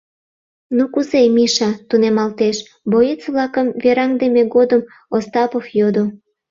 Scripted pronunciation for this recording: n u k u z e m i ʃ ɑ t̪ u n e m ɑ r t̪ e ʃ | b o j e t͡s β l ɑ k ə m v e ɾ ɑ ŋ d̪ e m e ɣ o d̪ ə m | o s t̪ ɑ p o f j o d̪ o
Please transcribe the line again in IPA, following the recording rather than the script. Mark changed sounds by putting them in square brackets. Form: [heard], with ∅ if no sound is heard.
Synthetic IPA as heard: n u k u z e m i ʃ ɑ t̪ u n e m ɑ [l] t̪ e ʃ | b o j e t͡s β l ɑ k ə m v e ɾ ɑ ŋ d̪ e m e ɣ o d̪ ə m | o s t̪ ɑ p o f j o d̪ o

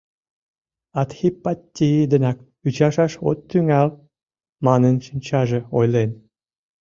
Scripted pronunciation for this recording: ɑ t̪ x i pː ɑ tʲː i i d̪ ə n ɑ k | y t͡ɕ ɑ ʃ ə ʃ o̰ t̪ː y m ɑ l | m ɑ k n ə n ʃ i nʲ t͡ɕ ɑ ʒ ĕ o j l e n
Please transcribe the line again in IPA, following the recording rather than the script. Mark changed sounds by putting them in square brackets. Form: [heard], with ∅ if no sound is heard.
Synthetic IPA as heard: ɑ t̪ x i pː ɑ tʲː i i d̪ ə n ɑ k | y t͡ɕ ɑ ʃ [ɑ] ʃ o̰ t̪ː y [ŋ] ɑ l | m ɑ [∅] n ə n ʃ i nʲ t͡ɕ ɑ ʒ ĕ o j l e n

